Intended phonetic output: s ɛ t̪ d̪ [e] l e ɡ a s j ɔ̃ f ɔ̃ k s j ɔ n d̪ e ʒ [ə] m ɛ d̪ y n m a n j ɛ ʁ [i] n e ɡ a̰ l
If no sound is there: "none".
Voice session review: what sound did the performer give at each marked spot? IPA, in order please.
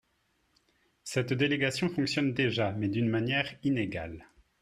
e, a, i

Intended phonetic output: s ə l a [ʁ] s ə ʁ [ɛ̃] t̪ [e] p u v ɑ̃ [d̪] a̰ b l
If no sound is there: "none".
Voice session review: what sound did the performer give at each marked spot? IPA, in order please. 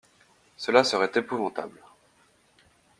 none, ɛ, e, t̪

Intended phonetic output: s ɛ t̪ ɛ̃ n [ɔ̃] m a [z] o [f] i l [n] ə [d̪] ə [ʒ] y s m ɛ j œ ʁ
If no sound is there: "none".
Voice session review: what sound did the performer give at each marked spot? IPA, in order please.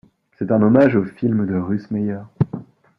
ɔ, ʒ, f, m, d̪, ʁ

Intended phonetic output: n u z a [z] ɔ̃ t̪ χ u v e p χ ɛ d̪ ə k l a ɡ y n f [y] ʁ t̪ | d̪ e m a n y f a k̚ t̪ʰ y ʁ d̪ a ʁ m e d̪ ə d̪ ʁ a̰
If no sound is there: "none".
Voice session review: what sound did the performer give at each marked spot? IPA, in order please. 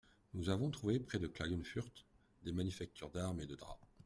v, y

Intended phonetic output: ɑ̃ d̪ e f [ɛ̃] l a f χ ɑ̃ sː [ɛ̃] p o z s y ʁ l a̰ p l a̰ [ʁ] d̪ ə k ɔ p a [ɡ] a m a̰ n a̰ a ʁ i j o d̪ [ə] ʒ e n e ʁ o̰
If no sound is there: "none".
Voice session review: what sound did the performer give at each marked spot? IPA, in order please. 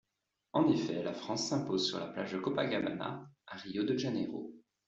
ɛ, ɛ̃, ʒ, ɡ, ə

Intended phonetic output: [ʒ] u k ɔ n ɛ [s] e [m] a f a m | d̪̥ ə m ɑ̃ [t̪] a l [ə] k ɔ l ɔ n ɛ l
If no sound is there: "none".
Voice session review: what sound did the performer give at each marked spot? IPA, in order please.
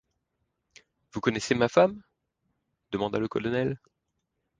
v, s, m, d̪, ə

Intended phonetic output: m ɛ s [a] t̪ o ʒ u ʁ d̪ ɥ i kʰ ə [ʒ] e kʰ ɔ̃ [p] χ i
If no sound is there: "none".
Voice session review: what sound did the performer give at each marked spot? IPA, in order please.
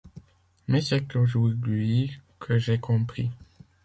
ɛ, ʒ, p

